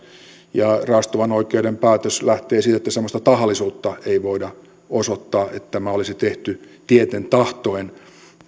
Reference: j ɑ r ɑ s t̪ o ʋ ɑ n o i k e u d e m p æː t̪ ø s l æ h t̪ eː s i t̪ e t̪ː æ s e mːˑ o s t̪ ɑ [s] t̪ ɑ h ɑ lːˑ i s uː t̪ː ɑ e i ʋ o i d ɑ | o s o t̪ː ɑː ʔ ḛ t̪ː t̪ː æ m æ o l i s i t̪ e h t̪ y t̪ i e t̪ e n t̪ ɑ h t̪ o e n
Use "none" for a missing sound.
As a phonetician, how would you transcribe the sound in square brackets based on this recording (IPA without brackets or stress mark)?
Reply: none